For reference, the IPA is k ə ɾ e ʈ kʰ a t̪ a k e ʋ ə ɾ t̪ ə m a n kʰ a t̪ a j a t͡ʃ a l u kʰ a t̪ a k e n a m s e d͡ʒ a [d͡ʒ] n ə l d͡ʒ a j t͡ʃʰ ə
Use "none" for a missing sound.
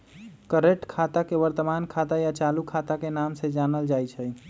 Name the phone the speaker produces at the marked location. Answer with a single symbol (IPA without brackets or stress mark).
none